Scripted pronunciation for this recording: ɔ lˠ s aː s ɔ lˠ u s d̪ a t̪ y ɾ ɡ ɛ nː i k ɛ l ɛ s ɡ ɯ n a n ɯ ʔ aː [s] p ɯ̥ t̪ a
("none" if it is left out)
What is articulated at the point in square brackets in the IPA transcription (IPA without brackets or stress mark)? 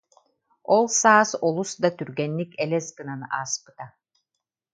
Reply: s